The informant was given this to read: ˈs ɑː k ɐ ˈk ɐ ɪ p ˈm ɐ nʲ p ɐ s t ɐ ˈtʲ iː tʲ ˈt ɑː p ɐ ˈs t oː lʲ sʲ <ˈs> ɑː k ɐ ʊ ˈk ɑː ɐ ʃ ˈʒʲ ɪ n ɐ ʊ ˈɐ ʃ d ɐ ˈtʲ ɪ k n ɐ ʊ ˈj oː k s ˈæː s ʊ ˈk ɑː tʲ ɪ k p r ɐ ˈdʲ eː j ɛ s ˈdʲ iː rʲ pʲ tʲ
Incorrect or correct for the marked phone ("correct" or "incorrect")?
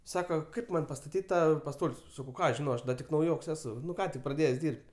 correct